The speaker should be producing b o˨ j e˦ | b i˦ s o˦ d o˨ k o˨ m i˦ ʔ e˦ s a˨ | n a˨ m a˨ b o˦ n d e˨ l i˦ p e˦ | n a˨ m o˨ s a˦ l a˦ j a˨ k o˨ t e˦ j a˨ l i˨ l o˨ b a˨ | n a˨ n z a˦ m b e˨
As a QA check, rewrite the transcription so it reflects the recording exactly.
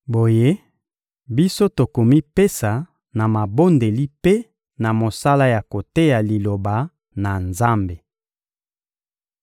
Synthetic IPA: b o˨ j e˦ | b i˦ s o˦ t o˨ k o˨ m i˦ p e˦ s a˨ | n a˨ m a˨ b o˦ n d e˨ l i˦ p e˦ | n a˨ m o˨ s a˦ l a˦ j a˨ k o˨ t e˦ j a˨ l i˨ l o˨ b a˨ | n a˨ n z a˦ m b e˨